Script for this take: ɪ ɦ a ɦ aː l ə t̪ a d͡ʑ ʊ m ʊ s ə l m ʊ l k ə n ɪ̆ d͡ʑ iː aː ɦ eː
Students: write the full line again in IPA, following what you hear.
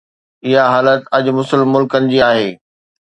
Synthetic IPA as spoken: ɪ ɦ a ɦ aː l ə t̪ ɐ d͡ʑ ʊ m ʊ s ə l m ʊ l k ə n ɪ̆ d͡ʑ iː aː ɦ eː